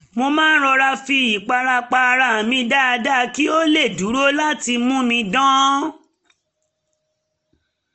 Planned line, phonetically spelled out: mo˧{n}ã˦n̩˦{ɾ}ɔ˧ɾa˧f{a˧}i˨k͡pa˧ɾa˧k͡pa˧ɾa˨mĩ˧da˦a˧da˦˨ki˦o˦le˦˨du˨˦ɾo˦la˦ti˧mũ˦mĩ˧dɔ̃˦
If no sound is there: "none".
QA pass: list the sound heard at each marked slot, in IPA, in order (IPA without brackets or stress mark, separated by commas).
m, ɾ, i˧